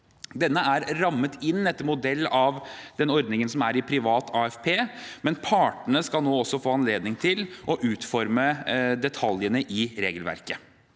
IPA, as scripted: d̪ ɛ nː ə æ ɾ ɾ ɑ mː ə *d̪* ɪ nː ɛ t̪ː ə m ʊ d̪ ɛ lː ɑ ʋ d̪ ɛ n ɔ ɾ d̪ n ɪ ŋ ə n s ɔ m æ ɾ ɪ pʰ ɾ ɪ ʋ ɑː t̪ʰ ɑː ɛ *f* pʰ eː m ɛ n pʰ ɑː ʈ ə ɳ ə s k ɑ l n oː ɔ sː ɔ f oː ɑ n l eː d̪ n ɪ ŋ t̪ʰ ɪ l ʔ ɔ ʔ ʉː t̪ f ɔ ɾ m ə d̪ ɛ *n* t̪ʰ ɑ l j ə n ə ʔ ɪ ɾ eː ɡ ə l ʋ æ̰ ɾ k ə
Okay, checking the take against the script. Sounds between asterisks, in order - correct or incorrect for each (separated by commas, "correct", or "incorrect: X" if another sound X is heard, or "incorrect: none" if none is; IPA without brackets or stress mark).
incorrect: t̪, correct, incorrect: none